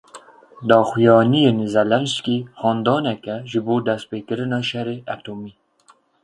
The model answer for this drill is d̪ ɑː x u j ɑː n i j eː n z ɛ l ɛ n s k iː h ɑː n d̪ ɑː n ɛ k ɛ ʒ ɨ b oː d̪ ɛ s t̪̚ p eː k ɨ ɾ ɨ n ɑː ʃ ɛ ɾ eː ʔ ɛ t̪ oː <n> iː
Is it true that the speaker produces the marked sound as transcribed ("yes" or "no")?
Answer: no